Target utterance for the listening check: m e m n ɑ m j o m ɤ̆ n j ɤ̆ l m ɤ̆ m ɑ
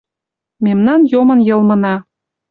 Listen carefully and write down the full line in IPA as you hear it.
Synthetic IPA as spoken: m e m n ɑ n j o m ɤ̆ n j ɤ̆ l m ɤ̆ n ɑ